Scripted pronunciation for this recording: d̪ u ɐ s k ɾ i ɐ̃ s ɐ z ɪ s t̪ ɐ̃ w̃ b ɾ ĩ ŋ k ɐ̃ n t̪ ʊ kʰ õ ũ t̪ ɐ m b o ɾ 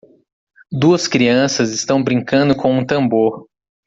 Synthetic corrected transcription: d̪ u ɐ s k ɾ i ɐ̃ s ɐ z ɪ s t̪ ɐ̃ w̃ b ɾ ĩ ŋ k ɐ̃ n d̪ ʊ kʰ õ ũ t̪ ɐ̃ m b o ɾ